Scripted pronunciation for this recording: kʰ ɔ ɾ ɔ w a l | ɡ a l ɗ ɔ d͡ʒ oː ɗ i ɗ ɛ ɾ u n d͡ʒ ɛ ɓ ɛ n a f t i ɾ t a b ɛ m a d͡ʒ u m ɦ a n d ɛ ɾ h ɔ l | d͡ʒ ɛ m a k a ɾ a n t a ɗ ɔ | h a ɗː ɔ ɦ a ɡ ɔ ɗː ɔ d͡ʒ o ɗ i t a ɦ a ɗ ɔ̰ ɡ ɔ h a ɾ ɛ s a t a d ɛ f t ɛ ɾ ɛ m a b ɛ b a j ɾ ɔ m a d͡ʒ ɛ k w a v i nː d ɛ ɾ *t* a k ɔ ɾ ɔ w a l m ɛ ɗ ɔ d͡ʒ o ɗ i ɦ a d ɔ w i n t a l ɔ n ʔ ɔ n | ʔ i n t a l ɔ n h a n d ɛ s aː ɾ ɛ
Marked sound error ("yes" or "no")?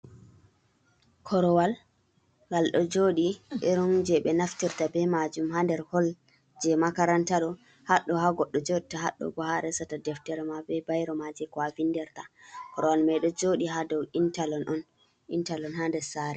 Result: no